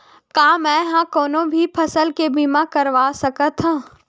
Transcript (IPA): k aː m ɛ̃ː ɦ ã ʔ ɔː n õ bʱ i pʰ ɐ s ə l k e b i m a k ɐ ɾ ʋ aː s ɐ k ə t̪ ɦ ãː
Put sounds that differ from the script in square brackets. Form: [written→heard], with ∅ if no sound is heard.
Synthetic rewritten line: k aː m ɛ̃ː ɦ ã [ʔ→k] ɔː n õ bʱ i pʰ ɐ s ə l k e b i m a k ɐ ɾ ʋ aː s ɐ k ə t̪ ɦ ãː